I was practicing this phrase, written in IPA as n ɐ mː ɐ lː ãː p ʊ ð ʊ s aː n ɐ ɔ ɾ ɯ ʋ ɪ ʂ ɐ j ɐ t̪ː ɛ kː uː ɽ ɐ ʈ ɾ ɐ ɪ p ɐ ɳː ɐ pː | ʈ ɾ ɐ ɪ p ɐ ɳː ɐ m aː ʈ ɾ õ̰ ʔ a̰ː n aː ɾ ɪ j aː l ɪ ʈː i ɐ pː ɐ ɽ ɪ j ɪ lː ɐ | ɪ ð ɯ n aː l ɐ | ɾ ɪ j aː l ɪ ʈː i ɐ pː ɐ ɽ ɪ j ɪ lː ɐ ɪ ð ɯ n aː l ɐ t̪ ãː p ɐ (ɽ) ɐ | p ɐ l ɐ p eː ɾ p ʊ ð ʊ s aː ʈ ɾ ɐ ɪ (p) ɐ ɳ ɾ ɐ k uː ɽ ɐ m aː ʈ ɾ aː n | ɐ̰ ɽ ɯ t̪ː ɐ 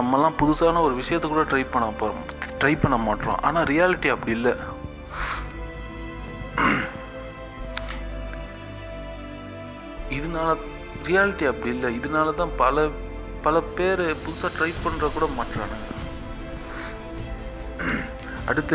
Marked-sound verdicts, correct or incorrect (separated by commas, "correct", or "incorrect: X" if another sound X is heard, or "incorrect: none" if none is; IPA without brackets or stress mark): incorrect: l, correct